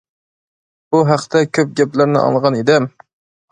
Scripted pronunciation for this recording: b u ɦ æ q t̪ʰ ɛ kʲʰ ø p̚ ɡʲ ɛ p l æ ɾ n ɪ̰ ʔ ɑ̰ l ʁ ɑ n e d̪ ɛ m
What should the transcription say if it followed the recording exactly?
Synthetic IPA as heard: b u ɦ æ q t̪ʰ ɛ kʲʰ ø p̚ ɡʲ ɛ p l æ ɾ n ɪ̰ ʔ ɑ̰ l ʁ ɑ n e d̪ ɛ m